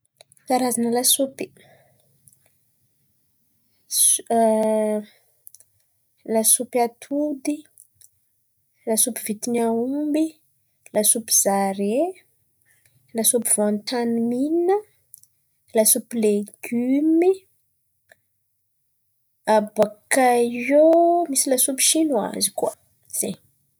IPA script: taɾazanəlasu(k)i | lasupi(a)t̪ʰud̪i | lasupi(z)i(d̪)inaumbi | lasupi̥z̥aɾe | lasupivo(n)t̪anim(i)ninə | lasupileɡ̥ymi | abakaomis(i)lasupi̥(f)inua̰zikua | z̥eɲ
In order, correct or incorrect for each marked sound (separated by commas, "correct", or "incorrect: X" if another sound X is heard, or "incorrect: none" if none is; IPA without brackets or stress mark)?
incorrect: p, correct, incorrect: v, incorrect: t̪, correct, correct, correct, incorrect: ʃ